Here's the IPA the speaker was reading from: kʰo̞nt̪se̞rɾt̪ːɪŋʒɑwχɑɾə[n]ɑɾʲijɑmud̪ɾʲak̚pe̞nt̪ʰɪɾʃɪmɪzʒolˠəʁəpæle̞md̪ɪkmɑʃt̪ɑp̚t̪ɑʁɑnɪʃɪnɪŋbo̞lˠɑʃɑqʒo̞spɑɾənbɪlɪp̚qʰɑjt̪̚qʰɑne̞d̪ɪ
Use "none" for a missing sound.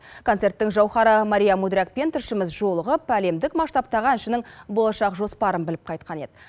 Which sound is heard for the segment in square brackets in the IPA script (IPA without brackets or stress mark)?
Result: m